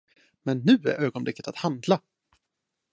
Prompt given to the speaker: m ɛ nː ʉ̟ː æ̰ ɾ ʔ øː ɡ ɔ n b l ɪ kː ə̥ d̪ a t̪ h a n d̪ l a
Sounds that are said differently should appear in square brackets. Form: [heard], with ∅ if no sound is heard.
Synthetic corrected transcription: m ɛ nː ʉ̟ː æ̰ ɾ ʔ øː ɡ ɔ n b l ɪ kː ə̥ [t̪] a t̪ h a n d̪ l a